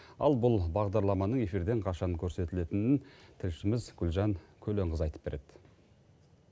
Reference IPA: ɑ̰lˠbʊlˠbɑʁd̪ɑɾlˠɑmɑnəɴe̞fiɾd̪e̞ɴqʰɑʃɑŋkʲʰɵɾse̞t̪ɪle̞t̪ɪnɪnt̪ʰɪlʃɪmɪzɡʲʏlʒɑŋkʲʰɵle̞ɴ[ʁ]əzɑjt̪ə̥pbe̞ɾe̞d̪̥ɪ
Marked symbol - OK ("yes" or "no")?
yes